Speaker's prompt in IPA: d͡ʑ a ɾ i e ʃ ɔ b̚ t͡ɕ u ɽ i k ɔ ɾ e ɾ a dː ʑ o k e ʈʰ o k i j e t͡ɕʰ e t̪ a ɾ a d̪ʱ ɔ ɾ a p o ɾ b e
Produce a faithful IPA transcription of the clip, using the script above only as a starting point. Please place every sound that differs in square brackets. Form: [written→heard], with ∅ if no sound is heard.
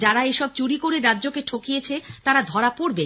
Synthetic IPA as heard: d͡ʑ a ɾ [i→a] e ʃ ɔ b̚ t͡ɕ u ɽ i k [ɔ→o] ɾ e ɾ a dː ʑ o k e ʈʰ o k i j e t͡ɕʰ e t̪ a ɾ a d̪ʱ ɔ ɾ a p o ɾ b e